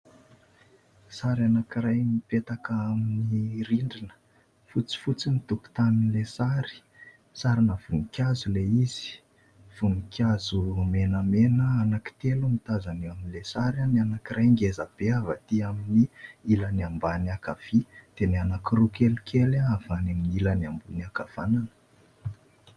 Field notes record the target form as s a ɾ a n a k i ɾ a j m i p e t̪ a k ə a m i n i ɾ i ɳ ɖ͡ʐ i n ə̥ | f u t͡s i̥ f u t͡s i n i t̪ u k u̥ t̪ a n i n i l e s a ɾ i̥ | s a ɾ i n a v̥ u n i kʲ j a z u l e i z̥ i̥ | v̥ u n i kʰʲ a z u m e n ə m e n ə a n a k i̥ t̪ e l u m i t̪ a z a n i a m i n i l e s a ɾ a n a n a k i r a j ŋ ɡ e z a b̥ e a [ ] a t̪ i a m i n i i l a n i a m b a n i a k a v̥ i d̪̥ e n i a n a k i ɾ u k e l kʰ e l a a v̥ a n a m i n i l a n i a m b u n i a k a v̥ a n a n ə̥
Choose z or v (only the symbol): v